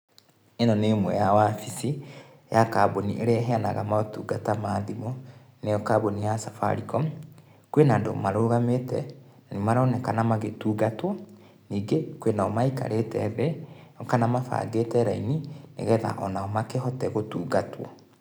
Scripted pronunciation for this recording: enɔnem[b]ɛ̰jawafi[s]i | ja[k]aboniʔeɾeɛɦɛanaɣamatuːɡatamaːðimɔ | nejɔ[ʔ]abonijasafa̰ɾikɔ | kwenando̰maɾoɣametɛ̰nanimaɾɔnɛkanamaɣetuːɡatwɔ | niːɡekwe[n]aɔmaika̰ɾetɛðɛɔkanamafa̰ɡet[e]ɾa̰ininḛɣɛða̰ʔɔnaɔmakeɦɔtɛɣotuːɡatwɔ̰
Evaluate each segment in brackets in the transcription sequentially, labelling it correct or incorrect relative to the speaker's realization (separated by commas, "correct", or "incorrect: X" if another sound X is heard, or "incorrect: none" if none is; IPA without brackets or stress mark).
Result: incorrect: w, correct, correct, incorrect: k, correct, incorrect: ɛ